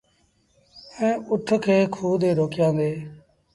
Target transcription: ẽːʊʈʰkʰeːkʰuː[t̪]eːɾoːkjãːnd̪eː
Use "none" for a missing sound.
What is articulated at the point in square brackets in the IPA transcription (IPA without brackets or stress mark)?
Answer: d̪